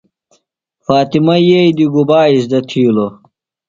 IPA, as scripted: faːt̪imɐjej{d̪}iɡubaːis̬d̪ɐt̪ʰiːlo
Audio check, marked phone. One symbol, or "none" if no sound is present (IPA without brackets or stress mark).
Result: d̪